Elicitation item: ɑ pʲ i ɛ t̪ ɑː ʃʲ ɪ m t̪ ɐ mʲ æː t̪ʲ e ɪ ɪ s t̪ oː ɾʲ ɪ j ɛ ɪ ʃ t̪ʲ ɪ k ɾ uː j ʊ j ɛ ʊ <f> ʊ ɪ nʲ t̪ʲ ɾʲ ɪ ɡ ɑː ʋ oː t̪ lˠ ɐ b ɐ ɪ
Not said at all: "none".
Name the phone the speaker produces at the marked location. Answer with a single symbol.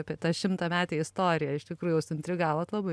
s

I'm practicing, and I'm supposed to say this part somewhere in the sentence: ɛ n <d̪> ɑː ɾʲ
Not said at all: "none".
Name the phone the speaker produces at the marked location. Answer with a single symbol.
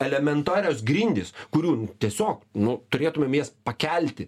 t̪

